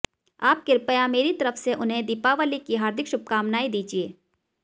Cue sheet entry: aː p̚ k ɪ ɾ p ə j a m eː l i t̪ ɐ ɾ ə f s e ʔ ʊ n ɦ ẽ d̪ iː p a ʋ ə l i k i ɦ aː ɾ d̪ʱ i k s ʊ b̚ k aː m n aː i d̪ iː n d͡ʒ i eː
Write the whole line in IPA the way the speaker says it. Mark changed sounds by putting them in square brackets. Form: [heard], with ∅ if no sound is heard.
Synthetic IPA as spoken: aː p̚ k ɪ ɾ p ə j a m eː [ɾ] i t̪ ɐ ɾ ə f s e ʔ ʊ n ɦ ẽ d̪ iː p a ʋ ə l i k i ɦ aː ɾ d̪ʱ [ɪ] k [ʃ] ʊ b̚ k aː m n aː i d̪ iː [∅] d͡ʒ i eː